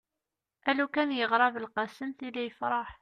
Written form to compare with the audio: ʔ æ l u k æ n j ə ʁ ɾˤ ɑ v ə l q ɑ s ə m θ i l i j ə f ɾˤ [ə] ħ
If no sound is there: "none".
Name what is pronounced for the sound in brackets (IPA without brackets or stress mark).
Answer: ɑ